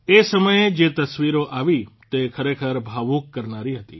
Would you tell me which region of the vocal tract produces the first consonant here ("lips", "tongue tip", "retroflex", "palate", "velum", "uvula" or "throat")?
tongue tip